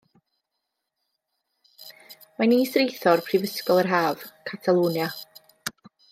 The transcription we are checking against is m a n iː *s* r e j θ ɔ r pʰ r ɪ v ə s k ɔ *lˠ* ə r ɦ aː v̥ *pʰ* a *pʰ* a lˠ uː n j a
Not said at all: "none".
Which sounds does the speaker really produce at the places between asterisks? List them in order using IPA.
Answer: s, lˠ, kʰ, tʰ

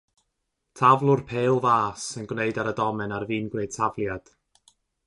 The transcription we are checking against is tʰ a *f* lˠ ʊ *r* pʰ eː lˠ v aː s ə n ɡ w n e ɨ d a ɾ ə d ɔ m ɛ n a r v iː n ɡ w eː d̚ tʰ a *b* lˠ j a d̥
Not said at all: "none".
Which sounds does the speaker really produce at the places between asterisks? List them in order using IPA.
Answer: v, r, v

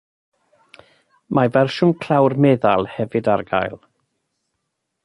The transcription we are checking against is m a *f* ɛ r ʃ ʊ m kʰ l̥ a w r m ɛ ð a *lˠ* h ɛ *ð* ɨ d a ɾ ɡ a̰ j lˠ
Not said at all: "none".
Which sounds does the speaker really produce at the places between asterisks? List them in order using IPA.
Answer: v, lˠ, v

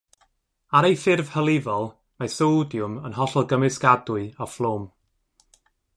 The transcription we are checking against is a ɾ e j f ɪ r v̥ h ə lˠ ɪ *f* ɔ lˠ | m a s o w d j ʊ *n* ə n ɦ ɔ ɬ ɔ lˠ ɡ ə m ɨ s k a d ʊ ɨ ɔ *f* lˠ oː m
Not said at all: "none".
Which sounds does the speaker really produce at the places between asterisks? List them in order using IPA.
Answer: v, m, f

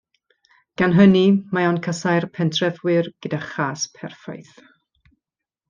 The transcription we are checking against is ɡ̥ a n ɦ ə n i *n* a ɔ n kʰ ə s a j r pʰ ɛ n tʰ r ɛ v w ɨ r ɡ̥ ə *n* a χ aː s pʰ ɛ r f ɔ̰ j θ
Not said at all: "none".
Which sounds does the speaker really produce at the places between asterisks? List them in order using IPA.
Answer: m, d

